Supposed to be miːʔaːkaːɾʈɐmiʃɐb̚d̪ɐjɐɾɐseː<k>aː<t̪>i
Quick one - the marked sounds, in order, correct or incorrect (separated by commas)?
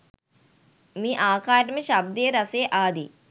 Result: incorrect, incorrect